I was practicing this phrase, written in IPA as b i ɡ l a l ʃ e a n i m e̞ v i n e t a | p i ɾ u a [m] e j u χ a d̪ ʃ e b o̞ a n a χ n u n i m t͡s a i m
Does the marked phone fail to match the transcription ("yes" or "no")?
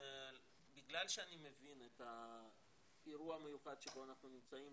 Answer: no